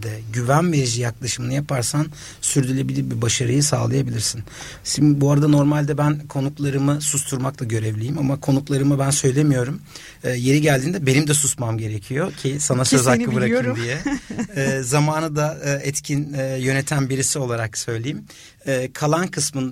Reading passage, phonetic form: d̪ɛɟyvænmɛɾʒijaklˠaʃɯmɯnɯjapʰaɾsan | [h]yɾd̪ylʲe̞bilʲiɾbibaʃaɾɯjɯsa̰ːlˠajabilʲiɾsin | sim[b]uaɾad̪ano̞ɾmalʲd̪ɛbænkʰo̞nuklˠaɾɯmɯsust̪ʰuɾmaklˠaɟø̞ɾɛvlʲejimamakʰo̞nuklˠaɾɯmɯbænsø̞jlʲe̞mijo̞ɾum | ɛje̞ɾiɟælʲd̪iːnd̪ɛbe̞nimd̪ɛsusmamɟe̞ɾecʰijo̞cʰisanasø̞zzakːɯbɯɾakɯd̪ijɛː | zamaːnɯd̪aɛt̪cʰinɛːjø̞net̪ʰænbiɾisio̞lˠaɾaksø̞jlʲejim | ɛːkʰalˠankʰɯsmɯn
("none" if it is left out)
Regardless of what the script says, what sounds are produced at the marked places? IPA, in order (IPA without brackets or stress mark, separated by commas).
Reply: s, b